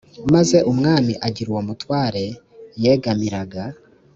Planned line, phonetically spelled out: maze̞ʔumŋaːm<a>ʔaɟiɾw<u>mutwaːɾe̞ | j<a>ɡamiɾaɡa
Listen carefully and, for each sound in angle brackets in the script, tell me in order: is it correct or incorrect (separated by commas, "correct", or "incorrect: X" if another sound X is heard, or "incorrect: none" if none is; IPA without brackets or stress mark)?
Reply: incorrect: i, incorrect: o, incorrect: e